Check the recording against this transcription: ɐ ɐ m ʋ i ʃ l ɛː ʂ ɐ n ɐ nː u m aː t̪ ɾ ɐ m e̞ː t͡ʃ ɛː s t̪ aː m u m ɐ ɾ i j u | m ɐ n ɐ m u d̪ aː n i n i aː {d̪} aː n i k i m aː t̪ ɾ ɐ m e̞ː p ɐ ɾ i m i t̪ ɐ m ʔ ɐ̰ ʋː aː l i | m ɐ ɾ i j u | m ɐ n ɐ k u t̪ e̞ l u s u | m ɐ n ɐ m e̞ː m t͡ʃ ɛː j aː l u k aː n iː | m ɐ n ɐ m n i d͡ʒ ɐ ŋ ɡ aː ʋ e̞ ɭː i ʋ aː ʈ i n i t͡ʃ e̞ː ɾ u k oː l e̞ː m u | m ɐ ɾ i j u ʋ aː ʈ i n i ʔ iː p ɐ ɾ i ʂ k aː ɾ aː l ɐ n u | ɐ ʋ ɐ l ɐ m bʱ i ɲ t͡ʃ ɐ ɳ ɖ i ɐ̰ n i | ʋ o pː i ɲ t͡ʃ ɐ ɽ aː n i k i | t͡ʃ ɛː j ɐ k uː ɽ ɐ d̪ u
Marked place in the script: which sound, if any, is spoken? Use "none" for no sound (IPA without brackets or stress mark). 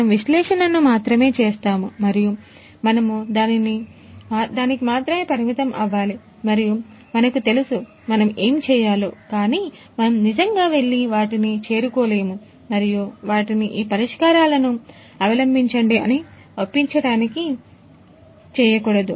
d̪